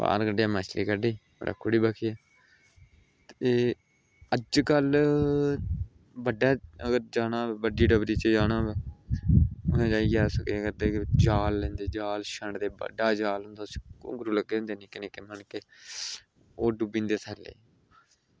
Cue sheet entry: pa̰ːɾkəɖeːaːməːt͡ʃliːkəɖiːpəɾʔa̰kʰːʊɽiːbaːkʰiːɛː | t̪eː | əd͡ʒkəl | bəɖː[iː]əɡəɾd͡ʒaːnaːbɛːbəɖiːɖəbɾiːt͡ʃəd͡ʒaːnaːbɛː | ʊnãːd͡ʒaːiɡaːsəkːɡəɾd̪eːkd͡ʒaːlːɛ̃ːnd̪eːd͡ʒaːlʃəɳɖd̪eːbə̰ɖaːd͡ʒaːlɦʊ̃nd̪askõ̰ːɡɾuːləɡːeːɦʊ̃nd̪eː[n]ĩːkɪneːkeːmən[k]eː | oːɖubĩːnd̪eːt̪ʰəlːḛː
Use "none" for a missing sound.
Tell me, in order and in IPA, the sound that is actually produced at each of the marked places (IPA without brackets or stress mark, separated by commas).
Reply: aː, n, k